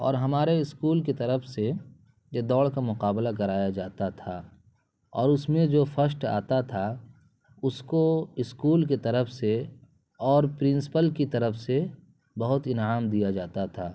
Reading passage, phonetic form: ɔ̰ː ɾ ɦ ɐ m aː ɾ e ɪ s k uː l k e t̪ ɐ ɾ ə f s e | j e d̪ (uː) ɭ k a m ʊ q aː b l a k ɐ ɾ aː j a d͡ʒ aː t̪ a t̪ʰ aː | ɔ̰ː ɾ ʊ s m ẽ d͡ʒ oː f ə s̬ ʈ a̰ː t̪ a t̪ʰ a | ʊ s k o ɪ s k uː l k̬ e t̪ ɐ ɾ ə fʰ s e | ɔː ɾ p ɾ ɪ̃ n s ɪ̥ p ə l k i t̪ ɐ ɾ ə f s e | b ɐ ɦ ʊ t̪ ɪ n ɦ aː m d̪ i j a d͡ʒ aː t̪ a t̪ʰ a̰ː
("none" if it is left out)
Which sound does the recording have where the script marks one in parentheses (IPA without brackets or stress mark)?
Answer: ɔː